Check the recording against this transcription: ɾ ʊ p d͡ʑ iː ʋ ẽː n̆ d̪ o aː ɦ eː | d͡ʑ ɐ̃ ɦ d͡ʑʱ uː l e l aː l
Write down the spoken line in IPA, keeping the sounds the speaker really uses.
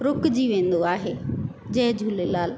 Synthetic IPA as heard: ɾ ʊ k d͡ʑ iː ʋ ẽː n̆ d̪ o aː ɦ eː | d͡ʑ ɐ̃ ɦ d͡ʑʱ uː l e l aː l